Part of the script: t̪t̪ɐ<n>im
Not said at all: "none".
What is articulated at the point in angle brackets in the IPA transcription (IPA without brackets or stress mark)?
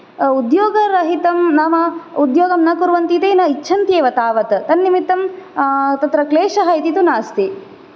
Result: nː